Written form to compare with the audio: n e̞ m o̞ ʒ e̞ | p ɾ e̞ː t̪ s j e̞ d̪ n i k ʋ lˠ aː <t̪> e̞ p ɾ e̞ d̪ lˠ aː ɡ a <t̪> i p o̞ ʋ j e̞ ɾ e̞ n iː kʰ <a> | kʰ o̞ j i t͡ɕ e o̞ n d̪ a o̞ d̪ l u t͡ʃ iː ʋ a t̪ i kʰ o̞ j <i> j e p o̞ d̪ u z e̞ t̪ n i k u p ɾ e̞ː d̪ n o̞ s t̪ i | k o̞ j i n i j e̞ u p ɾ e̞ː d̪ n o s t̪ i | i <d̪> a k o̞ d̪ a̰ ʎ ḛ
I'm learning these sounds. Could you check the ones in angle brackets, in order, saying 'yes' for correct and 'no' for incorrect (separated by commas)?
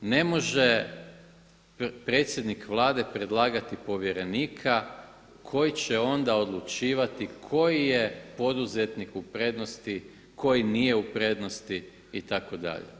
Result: no, yes, yes, yes, no